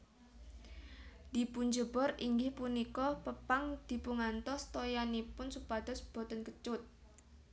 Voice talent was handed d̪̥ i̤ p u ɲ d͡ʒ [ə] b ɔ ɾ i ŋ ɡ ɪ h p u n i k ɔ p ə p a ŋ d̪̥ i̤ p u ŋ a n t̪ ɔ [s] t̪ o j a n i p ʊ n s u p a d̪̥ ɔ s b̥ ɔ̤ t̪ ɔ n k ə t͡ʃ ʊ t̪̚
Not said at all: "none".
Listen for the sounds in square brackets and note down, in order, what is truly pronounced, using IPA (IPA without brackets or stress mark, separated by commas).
ə, s